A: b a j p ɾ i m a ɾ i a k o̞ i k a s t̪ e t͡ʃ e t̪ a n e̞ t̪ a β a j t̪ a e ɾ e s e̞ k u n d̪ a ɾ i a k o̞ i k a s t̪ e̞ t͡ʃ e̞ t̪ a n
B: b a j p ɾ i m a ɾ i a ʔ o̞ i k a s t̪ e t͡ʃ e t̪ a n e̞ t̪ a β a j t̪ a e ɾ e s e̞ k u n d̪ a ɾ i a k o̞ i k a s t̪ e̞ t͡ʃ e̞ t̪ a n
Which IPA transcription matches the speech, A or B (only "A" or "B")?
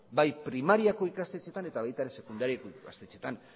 A